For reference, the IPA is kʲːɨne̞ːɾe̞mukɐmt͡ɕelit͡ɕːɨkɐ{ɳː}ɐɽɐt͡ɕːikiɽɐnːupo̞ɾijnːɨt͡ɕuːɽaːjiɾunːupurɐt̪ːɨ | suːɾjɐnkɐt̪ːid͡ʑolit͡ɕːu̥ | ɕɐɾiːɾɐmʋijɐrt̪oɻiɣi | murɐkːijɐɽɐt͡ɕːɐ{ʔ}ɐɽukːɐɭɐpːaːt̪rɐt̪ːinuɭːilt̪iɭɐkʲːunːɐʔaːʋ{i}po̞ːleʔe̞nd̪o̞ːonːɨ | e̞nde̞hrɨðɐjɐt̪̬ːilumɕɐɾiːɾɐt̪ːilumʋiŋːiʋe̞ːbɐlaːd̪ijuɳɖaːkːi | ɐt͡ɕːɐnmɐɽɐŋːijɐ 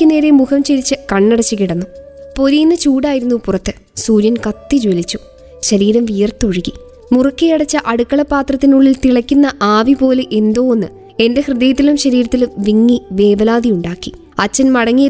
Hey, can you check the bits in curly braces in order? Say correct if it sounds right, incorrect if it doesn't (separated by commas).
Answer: correct, correct, correct